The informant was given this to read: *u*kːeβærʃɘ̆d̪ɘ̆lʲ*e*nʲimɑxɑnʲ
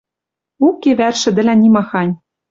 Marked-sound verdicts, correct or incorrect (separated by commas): correct, incorrect